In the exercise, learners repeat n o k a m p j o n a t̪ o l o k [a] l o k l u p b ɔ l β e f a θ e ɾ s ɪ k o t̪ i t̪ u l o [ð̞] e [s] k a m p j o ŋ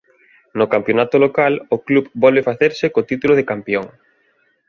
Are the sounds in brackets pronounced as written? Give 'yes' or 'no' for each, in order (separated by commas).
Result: yes, yes, no